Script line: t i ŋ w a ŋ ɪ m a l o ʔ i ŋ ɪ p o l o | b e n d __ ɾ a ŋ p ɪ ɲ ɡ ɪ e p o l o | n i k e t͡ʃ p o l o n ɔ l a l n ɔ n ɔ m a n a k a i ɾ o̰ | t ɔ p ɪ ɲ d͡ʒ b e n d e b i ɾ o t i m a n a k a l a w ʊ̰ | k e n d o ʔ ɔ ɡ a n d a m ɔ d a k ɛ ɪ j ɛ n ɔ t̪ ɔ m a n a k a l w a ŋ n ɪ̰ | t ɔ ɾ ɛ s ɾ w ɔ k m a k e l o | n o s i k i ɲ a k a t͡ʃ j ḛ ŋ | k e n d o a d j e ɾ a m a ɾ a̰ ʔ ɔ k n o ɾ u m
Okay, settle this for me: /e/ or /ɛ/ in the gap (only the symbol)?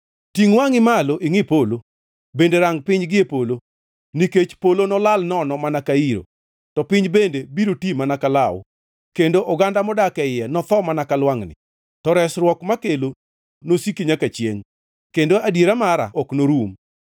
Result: e